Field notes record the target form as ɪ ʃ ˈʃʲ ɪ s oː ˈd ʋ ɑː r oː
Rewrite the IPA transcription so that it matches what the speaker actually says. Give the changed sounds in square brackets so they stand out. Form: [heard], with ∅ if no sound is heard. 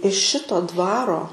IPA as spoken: ɪ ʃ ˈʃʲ ɪ [t] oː ˈd ʋ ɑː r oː